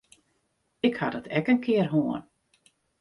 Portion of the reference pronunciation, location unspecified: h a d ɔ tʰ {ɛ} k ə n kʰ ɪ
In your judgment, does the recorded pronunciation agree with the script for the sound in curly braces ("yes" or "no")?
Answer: yes